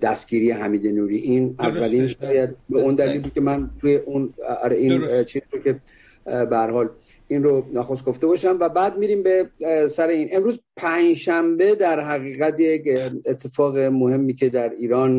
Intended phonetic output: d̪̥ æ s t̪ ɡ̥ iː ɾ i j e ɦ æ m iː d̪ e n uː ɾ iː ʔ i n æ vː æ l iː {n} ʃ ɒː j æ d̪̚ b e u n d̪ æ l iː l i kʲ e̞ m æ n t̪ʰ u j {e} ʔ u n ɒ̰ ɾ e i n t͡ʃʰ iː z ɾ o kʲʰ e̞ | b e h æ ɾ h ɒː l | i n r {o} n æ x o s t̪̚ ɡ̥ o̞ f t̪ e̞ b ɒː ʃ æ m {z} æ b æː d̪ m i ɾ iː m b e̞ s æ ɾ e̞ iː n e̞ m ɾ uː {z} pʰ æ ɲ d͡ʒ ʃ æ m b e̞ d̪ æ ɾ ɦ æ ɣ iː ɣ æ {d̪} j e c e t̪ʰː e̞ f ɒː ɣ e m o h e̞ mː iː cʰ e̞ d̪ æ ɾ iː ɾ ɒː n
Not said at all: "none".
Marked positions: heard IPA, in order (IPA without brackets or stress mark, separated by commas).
n, e, o, v, z, t̪